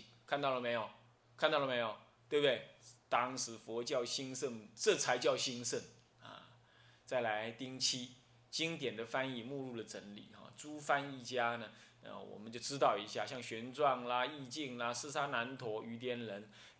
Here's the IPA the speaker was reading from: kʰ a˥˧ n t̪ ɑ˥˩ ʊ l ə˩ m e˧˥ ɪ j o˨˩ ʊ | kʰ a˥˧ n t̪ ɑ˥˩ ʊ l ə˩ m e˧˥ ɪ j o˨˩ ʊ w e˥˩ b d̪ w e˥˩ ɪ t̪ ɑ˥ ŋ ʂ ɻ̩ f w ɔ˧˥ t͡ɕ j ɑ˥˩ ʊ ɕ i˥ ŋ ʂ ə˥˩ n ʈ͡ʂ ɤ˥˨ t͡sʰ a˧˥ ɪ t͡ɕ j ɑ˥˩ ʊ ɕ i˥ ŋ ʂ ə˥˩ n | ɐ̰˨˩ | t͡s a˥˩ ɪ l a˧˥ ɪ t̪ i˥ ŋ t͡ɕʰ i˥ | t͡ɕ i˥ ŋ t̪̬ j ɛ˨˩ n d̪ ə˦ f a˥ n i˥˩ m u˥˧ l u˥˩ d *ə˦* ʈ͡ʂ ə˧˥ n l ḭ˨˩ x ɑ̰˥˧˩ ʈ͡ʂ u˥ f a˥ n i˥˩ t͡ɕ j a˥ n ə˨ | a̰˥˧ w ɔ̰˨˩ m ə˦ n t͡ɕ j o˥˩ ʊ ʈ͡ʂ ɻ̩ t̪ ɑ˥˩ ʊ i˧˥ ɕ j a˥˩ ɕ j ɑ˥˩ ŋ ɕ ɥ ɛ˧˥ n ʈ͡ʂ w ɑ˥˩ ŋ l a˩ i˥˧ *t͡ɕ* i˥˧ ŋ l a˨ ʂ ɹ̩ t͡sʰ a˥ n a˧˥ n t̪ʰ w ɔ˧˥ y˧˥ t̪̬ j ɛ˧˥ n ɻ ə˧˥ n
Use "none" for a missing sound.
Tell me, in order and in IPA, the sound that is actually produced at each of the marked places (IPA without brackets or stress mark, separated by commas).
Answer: ə˩, t͡ɕ